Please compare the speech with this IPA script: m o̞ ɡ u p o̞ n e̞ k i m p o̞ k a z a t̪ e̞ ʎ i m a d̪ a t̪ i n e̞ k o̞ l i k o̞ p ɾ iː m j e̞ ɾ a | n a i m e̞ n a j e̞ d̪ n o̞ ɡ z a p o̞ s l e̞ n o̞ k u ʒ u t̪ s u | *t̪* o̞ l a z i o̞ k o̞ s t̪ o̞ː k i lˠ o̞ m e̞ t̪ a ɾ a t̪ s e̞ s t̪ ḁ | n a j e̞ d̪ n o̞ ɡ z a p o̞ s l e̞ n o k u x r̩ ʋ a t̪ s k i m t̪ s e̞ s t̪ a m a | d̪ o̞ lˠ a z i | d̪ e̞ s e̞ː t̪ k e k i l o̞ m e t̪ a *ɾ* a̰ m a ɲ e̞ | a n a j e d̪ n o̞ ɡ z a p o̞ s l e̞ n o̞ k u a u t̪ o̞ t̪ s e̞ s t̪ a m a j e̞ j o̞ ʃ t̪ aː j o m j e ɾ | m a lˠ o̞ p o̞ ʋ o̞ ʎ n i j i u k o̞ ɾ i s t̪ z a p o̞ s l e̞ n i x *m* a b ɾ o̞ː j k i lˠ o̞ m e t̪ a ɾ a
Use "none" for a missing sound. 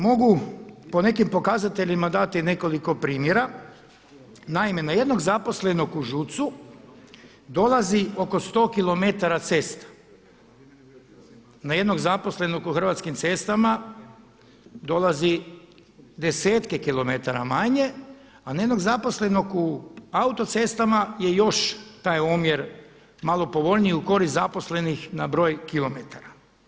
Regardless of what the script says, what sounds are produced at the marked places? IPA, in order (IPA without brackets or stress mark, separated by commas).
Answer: d̪, ɾ, n